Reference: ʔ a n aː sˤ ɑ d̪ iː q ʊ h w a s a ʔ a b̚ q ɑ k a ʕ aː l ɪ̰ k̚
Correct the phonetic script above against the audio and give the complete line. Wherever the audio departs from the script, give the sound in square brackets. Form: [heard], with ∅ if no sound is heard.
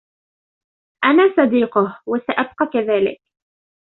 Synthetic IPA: ʔ a n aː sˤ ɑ d̪ iː q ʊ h w a s a ʔ a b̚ q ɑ k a [ð] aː l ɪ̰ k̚